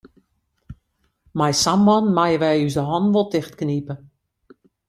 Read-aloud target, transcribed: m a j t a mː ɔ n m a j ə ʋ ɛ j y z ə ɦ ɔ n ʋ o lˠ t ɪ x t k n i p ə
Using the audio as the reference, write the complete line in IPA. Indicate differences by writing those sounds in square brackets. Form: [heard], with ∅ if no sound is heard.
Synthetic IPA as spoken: m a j [s] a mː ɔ n m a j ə ʋ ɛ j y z ə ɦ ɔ n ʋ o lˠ t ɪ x t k n i p ə